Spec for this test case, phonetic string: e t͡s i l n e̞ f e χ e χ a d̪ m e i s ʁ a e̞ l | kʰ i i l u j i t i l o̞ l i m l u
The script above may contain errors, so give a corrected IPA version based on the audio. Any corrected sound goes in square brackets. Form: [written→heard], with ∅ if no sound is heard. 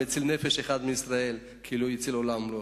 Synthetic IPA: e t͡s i l n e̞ f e [χ→ʃ] e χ a d̪ m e i s ʁ a e̞ l | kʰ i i l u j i [t→t͡s] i l o̞ l [i→a] m l [u→o]

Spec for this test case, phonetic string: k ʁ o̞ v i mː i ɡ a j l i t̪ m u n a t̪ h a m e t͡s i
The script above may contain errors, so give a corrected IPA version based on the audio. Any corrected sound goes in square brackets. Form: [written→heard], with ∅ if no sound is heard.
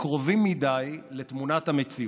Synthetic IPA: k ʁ o̞ v i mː i [ɡ→d] a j l [i→e] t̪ m u n a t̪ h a m e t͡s i

